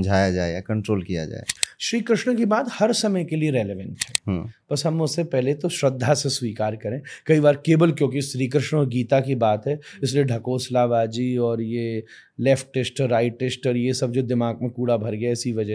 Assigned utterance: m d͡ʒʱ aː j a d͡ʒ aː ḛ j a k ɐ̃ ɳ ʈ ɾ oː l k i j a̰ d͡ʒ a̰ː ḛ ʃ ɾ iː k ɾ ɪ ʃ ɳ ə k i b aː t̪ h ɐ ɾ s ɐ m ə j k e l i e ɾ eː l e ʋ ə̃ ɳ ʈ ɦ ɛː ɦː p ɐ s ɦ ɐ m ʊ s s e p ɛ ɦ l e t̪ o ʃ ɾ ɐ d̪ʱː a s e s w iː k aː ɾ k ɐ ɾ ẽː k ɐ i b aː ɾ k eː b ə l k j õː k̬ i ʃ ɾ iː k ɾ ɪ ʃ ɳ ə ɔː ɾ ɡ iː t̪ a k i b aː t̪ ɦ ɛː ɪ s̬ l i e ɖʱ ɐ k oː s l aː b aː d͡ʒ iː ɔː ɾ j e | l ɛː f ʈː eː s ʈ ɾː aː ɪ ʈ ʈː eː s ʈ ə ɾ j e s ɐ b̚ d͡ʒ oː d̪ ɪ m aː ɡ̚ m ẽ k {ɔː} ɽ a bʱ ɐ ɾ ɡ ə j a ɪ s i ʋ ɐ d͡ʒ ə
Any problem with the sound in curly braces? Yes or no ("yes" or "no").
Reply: yes